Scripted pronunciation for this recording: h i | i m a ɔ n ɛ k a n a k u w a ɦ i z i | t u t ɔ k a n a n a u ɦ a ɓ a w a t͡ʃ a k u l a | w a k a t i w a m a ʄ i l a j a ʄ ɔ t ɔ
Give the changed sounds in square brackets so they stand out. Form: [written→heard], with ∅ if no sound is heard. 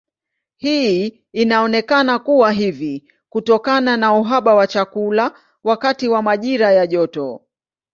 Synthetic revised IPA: h i | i [m→n] a ɔ n ɛ k a n a k u w a ɦ i [z→v] i | [t→k] u t ɔ k a n a n a u ɦ a ɓ a w a t͡ʃ a k u l a | w a k a t i w a m a ʄ i [l→ɾ] a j a ʄ ɔ t ɔ